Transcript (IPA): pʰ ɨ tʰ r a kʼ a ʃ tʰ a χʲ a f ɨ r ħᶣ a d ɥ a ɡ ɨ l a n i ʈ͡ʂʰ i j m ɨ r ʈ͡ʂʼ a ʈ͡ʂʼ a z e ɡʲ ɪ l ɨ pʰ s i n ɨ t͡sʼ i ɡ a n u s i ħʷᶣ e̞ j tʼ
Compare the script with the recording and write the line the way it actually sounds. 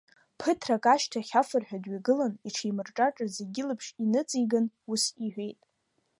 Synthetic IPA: pʰ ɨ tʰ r a kʼ a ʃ tʰ a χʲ a f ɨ r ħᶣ a d ɥ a ɡ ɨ l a n i ʈ͡ʂʰ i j m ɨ r ʈ͡ʂʼ a ʈ͡ʂʼ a z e ɡʲ ɪ l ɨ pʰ ʂ i n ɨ t͡sʼ i ɡ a n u s i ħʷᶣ e̞ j tʼ